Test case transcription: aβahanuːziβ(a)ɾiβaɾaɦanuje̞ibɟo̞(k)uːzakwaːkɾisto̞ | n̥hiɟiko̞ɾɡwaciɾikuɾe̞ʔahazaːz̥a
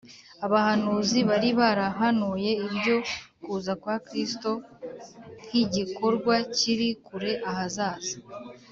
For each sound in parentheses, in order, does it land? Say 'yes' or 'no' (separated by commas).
yes, yes